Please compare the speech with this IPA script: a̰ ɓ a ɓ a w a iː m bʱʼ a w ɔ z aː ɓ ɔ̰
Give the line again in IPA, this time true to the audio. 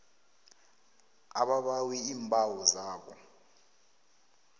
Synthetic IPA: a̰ ɓ a ɓ a w i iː m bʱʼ a w ɔ z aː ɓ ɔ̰